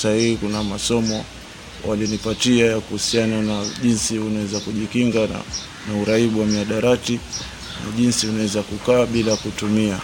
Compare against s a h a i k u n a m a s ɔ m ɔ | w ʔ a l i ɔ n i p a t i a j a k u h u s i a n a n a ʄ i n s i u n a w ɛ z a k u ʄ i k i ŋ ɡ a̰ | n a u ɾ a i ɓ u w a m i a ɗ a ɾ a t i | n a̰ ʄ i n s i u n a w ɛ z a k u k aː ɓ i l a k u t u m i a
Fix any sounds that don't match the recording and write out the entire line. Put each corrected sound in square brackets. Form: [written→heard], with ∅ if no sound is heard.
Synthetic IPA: s a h [a→i] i k u n a m a s ɔ m ɔ | w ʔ a l i ɔ n i p a t i a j a k u h u s i a n a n a ʄ i n s i u n a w ɛ z a k u ʄ i k i ŋ ɡ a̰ | n a u ɾ a i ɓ u w a m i a ɗ a ɾ a t i | n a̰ ʄ i n s i u n a w ɛ z a k u k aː ɓ i l a k u t u m i a